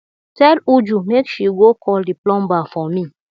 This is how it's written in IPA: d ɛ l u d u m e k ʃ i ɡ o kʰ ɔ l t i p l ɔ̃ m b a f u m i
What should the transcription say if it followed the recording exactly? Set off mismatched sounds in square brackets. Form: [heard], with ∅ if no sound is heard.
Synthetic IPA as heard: [t] ɛ l u [d͡ʒ] u m e k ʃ i ɡ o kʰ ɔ l [d] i p l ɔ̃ m b a f [ɔ] m i